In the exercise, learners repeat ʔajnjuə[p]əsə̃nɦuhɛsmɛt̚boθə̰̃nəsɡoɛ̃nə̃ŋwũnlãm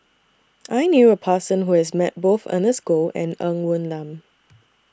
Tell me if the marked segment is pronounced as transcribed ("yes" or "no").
no